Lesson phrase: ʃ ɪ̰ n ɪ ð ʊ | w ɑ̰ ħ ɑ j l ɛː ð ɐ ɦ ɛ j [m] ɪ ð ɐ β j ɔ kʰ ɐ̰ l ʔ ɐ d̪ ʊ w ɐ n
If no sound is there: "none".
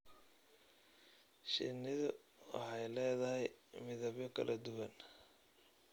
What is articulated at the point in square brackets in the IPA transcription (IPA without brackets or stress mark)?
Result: m